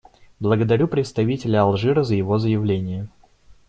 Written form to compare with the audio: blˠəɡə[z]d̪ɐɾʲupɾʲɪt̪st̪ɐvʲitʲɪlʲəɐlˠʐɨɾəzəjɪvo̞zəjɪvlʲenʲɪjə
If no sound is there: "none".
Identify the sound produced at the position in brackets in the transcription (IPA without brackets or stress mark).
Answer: none